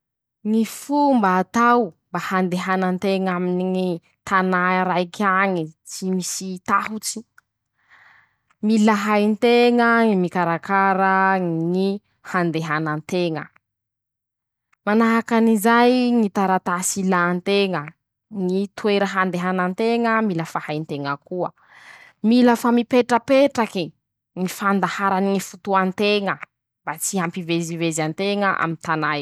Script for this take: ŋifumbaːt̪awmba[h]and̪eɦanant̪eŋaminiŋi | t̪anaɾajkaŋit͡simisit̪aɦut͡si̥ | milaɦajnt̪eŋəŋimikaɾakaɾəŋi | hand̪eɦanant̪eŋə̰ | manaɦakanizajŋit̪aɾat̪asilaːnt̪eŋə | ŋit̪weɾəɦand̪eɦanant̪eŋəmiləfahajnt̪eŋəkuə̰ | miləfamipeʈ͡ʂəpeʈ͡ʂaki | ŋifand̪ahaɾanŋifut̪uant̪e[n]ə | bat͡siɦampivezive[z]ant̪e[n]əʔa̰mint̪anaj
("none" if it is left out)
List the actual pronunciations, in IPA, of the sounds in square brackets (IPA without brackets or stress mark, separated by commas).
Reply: h, ŋ, z, ŋ